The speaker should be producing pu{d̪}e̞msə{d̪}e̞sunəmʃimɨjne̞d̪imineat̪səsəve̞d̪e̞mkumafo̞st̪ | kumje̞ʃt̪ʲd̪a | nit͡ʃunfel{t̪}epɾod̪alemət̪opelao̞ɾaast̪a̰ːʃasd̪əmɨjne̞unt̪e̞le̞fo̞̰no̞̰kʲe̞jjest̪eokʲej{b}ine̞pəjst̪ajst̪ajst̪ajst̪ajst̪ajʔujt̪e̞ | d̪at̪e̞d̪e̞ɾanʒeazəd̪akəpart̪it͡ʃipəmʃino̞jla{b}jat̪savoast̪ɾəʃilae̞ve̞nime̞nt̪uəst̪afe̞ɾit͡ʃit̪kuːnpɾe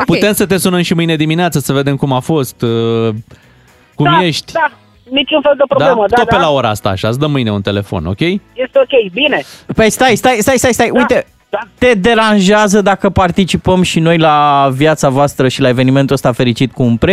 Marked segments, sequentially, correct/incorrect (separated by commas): incorrect, incorrect, incorrect, correct, incorrect